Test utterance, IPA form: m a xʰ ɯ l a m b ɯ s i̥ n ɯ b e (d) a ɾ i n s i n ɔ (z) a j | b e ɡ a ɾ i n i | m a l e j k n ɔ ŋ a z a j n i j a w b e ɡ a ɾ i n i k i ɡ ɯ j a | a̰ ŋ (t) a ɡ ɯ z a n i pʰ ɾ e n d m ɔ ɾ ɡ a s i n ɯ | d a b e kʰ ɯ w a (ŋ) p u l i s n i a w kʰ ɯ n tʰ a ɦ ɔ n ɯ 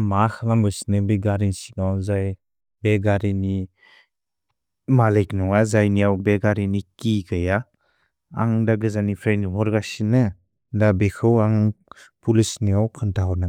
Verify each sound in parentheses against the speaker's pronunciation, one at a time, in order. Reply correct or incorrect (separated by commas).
incorrect, correct, incorrect, correct